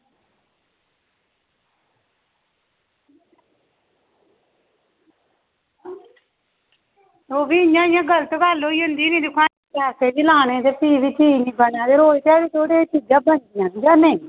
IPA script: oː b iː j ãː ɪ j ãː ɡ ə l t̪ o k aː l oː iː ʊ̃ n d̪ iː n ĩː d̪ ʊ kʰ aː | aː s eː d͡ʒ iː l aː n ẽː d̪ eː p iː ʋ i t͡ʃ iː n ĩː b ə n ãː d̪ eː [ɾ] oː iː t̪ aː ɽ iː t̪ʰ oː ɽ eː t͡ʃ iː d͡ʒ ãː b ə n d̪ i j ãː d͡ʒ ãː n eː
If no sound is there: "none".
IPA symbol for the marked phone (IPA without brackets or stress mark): ɾ